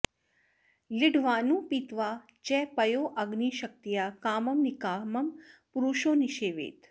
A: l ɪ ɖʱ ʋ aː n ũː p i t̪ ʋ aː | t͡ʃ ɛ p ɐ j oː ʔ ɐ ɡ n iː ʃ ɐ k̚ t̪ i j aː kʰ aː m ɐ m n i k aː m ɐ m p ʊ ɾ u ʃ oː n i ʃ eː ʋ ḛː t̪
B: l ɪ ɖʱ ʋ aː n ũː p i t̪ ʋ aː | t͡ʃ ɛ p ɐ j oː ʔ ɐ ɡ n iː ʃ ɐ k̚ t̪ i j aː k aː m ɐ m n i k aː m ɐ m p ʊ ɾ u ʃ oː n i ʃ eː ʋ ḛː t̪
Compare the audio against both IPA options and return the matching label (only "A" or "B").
B